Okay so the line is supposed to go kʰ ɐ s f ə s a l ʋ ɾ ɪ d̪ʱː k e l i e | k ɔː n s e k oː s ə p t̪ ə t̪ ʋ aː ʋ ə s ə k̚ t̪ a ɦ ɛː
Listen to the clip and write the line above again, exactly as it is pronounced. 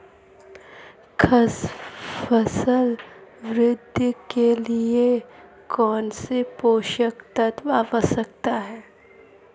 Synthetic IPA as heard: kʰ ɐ s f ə s ə l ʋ ɾ ɪ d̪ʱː k e l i e | k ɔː n s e p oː ʃ ə k t̪ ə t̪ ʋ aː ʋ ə s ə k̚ t̪ a ɦ ɛː